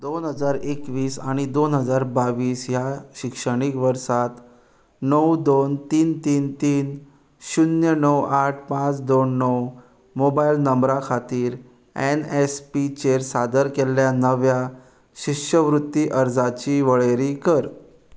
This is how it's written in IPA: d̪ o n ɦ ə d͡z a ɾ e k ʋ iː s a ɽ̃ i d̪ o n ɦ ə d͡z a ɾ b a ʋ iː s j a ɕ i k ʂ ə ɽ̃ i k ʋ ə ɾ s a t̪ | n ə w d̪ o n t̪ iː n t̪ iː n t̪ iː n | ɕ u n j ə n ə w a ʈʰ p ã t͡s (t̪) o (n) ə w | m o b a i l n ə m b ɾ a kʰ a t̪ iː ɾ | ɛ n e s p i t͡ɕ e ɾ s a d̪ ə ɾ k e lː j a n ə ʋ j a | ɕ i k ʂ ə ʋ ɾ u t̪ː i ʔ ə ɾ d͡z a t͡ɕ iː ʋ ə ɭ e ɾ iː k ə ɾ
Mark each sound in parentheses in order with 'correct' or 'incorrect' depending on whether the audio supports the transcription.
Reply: incorrect, incorrect

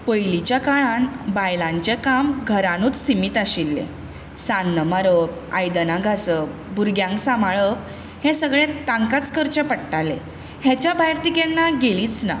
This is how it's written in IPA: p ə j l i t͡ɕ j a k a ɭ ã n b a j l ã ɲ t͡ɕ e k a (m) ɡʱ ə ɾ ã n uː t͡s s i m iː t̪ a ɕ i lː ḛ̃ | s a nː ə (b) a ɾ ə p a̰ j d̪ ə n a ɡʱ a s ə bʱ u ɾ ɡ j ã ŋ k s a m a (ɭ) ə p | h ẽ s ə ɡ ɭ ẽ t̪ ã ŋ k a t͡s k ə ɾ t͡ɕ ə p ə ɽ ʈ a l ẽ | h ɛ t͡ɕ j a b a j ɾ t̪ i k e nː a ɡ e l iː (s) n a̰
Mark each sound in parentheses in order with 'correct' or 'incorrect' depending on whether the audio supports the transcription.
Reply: correct, incorrect, correct, incorrect

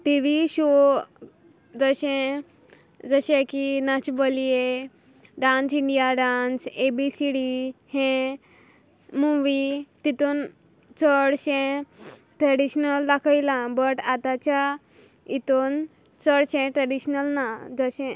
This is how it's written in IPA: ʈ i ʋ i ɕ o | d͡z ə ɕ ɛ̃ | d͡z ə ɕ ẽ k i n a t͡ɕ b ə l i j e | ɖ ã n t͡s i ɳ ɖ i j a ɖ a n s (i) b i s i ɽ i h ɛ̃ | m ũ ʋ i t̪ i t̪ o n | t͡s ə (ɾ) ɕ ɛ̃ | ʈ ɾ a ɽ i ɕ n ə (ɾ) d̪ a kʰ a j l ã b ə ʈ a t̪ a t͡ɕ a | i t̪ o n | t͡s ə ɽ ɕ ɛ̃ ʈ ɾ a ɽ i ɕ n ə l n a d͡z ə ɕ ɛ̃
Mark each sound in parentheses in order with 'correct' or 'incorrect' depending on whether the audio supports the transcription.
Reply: incorrect, incorrect, incorrect

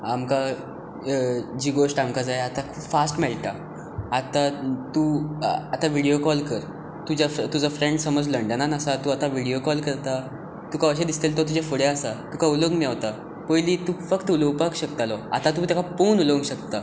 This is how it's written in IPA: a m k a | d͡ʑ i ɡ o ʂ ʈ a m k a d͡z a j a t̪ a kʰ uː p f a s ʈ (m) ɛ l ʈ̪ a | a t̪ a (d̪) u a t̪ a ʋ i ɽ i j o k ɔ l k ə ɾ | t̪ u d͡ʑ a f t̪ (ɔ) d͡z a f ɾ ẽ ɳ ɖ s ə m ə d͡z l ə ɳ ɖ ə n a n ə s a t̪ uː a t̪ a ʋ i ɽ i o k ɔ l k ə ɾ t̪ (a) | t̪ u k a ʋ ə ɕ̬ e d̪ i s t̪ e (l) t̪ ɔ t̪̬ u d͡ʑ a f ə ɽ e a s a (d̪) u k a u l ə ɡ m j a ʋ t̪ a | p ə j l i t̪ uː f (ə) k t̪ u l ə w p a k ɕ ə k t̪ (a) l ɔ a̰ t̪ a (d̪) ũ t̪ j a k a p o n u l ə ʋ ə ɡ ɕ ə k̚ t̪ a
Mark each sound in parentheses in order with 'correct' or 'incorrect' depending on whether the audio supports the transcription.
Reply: correct, incorrect, incorrect, correct, correct, incorrect, correct, correct, incorrect

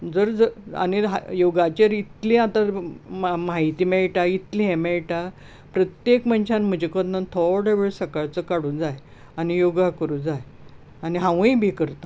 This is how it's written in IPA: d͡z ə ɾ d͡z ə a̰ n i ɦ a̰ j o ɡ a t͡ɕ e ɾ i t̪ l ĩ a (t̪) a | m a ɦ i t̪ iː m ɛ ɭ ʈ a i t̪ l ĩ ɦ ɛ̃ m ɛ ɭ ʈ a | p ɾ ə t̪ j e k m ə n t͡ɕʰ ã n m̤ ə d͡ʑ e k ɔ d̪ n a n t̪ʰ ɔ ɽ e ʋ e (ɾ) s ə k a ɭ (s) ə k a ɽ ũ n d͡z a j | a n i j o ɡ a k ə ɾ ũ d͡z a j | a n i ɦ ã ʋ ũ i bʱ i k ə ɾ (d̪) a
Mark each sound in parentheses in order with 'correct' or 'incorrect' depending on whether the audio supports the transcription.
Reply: correct, incorrect, incorrect, incorrect

